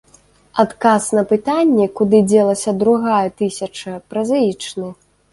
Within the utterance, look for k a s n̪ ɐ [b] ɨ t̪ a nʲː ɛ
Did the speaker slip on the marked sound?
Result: yes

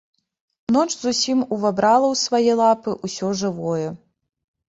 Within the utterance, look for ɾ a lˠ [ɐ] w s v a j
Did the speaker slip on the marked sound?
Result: no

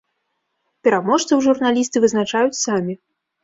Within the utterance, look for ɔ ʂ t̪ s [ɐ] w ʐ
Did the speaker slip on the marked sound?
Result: no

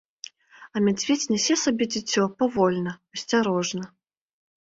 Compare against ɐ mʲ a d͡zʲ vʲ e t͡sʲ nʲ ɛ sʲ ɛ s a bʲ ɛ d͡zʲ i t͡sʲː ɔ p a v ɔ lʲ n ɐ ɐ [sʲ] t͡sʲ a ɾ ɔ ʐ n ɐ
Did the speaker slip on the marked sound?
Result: no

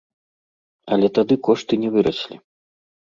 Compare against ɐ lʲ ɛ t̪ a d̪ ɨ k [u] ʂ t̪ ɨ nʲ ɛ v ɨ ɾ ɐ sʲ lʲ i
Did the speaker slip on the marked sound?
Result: yes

